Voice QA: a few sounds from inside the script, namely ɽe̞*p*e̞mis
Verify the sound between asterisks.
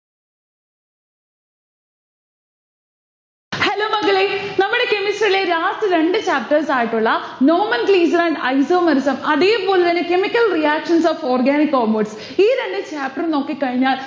incorrect: k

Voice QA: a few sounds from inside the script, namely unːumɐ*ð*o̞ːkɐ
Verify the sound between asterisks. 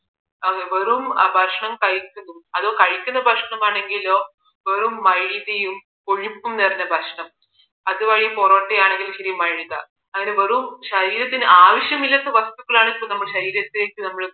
correct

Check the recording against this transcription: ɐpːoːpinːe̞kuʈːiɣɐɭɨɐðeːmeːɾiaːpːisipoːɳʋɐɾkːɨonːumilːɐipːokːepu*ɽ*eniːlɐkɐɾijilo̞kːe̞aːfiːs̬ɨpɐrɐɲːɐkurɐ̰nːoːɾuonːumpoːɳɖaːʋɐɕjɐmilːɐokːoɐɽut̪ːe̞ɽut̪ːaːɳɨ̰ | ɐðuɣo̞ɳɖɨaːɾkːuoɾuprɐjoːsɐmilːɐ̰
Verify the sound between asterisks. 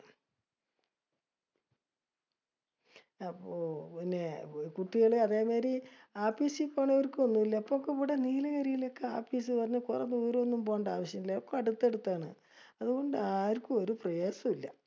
correct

